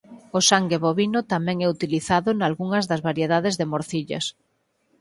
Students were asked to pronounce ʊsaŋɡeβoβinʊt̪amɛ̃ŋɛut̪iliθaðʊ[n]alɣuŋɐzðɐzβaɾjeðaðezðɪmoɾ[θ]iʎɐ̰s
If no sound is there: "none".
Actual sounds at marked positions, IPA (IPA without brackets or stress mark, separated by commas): n, θ